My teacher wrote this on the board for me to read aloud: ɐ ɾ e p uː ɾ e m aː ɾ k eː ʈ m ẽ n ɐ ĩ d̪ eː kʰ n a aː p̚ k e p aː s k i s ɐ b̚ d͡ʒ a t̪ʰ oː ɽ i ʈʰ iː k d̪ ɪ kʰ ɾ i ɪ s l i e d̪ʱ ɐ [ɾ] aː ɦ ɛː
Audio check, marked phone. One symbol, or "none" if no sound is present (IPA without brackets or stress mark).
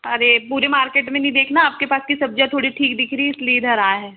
ɾ